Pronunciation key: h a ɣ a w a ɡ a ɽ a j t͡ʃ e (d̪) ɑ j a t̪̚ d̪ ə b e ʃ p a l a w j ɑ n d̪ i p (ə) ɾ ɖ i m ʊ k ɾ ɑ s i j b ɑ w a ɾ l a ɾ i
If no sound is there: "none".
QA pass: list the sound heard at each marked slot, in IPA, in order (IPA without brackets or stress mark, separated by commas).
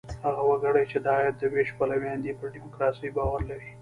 d̪, ə